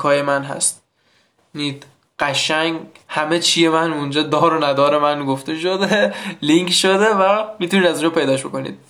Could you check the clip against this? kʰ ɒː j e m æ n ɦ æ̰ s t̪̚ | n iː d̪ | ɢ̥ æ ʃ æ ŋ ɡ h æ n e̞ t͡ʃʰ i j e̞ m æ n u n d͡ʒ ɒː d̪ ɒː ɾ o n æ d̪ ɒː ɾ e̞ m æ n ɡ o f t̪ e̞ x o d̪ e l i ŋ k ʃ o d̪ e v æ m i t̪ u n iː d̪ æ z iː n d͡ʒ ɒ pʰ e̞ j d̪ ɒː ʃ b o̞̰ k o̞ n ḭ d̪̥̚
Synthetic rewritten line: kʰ ɒː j e m æ n ɦ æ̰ s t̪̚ | n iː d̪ | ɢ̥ æ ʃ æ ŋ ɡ h æ m e̞ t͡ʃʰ i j e̞ m æ n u n d͡ʒ ɒː d̪ ɒː ɾ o n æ d̪ ɒː ɾ e̞ m æ n ɡ o f t̪ e̞ ʃ o d̪ e l i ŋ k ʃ o d̪ e v æ m i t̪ u n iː d̪ æ z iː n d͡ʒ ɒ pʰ e̞ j d̪ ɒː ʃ b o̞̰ k o̞ n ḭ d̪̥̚